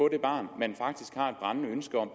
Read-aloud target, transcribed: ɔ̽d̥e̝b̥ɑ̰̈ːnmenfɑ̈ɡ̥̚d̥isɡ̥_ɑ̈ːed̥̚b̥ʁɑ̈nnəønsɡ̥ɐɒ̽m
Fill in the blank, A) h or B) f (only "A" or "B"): A